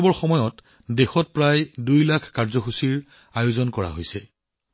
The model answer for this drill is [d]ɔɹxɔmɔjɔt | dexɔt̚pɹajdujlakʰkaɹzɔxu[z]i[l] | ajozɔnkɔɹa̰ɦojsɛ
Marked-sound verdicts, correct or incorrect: incorrect: b, incorrect: s, incorrect: ɹ

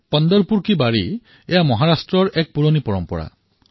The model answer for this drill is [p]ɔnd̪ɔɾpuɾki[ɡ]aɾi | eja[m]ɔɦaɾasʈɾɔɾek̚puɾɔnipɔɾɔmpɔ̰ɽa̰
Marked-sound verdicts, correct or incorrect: correct, incorrect: b, correct

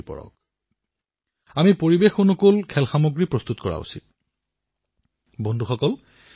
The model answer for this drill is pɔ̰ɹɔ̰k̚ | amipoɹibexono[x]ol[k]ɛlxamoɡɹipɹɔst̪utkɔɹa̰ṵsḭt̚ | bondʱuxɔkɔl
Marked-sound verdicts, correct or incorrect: incorrect: k, incorrect: kʰ

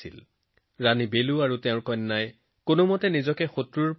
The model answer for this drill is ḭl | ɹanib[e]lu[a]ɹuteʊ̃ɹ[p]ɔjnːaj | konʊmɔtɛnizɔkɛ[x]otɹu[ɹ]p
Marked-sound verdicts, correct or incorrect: correct, correct, incorrect: k, correct, correct

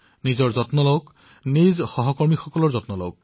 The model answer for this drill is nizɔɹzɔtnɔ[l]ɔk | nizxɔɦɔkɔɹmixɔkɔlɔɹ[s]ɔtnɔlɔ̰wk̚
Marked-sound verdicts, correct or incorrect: correct, incorrect: z

